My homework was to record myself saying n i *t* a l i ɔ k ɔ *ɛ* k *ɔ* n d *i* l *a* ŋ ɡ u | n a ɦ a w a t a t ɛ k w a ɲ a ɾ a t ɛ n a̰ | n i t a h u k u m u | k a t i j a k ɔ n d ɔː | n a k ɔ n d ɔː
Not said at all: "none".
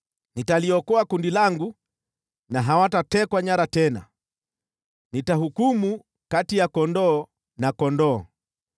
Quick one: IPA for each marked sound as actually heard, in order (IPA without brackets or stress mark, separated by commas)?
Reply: t, a, u, i, a